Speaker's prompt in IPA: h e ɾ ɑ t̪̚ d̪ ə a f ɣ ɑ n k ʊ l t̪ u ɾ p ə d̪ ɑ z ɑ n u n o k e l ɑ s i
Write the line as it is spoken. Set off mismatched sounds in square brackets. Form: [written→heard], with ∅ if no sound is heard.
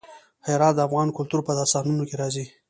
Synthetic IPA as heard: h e ɾ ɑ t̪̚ d̪ ə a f ɣ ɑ n k ʊ l t̪ u ɾ p ə d̪ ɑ [z→s] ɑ n u n o k e [l→ɾ] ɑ [s→z] i